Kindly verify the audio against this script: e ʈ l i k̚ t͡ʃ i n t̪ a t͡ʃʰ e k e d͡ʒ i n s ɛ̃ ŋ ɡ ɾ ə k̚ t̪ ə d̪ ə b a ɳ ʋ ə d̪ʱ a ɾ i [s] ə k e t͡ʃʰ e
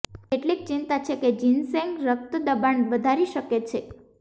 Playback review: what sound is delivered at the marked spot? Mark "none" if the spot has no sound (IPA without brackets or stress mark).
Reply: ʃ